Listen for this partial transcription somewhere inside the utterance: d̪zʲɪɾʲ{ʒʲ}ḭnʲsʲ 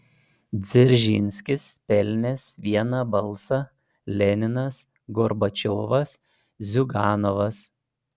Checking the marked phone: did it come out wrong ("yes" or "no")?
no